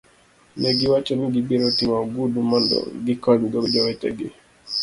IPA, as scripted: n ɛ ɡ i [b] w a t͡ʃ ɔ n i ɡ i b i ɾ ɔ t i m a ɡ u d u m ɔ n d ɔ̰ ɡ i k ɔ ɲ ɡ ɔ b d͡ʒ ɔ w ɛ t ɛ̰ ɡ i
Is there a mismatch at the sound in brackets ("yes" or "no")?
yes